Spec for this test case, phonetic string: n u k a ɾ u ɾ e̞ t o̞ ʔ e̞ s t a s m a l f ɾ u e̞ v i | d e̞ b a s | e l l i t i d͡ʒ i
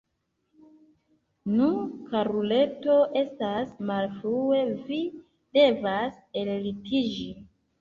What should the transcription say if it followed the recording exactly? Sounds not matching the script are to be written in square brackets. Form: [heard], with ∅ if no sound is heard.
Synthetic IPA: n u k a ɾ u [l] e̞ t o̞ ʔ e̞ s t a s m a l f ɾ u e̞ v i | d e̞ [v] a s | e l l i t i d͡ʒ i